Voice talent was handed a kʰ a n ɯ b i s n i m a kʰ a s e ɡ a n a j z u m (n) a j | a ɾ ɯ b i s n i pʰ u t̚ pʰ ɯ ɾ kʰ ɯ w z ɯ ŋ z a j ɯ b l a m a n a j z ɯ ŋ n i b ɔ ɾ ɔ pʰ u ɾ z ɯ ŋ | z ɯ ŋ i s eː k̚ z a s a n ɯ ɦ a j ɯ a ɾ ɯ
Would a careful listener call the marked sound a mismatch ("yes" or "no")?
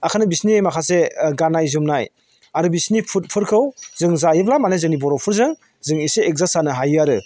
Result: no